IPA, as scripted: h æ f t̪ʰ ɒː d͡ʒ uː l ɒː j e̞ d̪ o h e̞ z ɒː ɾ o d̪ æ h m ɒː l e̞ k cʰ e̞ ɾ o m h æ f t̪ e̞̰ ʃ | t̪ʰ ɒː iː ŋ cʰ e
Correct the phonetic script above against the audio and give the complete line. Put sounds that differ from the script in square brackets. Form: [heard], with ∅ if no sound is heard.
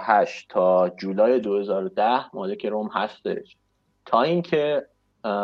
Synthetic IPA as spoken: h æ [ʃ] t̪ʰ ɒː d͡ʒ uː l ɒː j e̞ d̪ o h e̞ z ɒː ɾ o d̪ æ h m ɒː l e̞ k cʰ e̞ ɾ o m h æ [s] t̪ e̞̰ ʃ | t̪ʰ ɒː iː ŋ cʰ e